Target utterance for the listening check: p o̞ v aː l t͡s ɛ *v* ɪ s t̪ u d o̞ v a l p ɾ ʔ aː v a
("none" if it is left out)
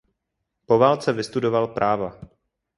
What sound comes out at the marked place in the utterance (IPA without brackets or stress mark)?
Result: v